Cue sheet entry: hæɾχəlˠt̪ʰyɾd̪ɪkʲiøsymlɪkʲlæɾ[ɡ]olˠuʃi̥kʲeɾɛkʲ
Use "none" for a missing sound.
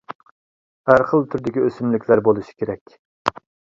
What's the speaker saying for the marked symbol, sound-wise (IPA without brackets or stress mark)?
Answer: b